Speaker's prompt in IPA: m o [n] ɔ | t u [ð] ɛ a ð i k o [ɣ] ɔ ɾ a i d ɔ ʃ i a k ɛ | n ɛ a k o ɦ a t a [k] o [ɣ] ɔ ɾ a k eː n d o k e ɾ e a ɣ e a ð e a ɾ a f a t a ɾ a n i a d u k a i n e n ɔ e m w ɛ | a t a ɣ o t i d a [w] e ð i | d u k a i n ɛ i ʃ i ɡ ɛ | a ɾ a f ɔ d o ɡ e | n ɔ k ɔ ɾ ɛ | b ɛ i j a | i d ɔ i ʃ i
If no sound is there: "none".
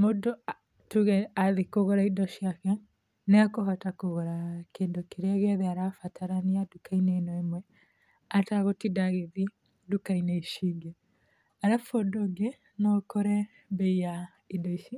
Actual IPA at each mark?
d, ɣ, ɣ, k, ɣ, ɣ

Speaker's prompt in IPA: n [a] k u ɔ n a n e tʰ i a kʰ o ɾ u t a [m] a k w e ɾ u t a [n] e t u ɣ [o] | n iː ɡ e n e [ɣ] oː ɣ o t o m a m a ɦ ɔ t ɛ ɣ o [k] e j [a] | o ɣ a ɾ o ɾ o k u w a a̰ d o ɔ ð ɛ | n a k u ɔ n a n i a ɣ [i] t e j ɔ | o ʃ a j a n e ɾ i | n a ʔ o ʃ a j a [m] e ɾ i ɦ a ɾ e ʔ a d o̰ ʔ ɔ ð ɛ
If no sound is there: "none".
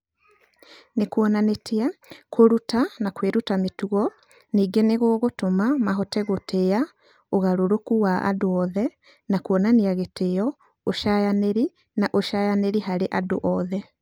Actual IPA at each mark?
e, n, m, ɔ, ɣ, t, a, e, n

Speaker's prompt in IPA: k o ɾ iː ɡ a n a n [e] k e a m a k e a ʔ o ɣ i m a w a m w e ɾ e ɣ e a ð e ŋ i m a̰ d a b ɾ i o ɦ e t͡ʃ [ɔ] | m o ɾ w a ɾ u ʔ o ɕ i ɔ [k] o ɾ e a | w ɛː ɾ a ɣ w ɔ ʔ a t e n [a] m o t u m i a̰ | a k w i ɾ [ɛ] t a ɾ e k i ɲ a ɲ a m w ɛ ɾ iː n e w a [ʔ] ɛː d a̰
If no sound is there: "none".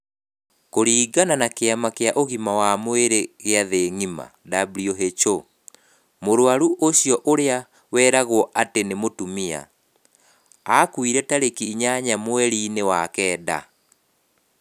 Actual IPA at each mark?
a, o, ʔ, e, ɛ, k

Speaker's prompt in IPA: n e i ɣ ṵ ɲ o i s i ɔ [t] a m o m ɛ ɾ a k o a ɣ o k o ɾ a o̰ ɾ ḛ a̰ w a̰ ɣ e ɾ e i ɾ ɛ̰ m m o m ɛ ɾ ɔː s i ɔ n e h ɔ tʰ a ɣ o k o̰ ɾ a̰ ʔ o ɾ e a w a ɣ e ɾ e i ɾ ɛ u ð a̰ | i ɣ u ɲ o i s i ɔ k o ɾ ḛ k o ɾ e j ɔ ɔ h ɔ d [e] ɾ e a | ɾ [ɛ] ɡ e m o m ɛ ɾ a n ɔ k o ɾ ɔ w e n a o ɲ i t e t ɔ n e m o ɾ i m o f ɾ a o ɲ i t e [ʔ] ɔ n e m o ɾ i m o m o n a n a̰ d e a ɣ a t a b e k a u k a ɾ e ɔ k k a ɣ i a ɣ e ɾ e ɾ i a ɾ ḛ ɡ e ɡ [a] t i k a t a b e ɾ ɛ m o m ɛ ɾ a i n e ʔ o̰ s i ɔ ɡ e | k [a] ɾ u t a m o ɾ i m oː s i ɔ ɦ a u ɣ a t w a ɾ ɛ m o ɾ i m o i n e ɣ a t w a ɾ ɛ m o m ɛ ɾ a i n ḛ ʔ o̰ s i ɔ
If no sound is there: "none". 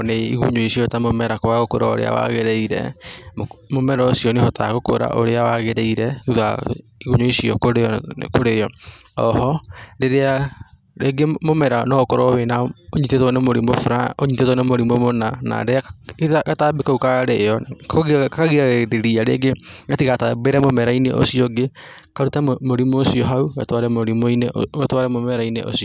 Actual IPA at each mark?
t, e, e, t, a, a

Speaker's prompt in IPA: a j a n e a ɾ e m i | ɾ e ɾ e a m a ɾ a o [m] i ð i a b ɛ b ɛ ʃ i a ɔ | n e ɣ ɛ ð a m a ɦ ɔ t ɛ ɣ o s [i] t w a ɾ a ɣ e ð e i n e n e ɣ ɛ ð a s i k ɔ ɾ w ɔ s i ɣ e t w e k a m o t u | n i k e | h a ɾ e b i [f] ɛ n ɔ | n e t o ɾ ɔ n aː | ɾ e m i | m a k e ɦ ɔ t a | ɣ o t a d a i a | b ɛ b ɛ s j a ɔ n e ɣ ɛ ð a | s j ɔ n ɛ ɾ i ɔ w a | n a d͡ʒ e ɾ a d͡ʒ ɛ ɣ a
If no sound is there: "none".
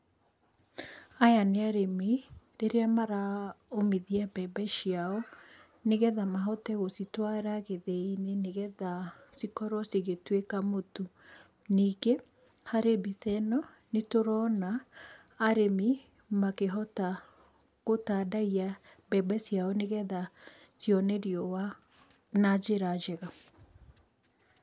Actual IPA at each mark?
m, i, θ

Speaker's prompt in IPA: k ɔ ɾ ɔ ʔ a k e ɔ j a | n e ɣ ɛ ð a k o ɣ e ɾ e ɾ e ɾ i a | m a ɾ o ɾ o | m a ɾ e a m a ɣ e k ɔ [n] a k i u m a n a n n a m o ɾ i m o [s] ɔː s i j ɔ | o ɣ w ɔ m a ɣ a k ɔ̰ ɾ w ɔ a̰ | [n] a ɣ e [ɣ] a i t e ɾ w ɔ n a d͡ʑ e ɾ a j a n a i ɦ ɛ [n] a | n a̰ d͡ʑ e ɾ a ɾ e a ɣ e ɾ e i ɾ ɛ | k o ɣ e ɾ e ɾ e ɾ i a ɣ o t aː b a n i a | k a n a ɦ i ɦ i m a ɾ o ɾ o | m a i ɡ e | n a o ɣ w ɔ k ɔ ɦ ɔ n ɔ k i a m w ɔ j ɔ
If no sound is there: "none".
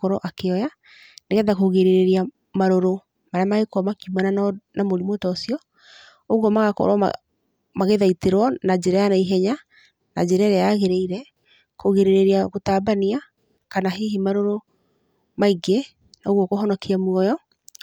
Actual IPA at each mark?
m, t, m, ð, ɲ

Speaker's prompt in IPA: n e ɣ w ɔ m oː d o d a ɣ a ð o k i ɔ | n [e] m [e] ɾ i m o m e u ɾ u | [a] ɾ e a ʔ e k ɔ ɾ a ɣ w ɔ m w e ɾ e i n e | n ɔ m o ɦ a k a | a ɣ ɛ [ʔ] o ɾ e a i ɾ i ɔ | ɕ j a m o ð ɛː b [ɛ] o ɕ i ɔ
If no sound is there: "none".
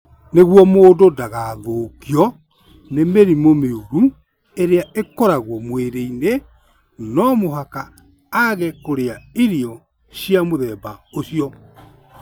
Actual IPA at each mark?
e, e, e, k, a

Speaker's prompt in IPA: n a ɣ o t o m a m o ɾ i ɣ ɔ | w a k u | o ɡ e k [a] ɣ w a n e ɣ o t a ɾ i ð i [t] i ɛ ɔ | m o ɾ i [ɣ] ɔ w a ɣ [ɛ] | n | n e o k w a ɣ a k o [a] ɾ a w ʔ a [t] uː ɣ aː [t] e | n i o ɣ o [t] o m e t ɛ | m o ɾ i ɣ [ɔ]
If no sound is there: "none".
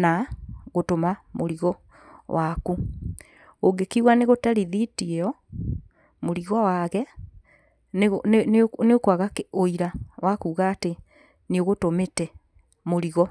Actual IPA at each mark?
i, t, ɣ, ɛ, i, k, t, t, ɔ

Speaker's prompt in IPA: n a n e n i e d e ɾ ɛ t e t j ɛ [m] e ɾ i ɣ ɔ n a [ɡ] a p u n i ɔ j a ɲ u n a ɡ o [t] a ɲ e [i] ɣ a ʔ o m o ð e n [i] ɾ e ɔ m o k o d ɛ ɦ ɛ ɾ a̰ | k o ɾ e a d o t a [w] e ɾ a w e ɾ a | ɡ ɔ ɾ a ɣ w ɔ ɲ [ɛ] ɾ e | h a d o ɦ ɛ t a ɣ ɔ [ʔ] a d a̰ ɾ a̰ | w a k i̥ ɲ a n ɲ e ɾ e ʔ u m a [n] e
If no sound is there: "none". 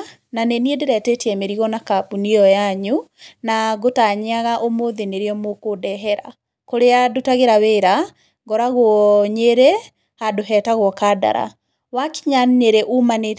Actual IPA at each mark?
m, k, t, a, e, ɣ, e, k, n

